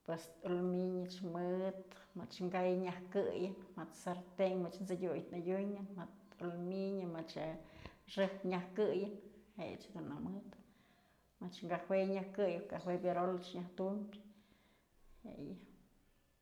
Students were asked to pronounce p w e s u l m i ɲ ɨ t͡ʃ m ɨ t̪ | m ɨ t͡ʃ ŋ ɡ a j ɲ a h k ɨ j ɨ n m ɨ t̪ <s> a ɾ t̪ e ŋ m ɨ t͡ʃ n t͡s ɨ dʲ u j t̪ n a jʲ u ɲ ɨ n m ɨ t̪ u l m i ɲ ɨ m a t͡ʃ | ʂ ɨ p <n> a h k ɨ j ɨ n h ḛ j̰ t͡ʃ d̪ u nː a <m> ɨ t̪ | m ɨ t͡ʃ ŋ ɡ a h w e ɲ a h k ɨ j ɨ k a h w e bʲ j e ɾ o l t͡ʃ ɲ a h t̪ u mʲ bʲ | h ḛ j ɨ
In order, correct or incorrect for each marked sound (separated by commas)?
correct, incorrect, correct